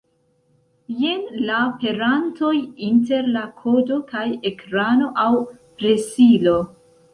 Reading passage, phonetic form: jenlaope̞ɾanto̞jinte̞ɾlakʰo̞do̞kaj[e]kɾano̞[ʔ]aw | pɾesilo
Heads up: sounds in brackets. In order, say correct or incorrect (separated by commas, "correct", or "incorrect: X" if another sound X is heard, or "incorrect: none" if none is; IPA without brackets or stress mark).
correct, correct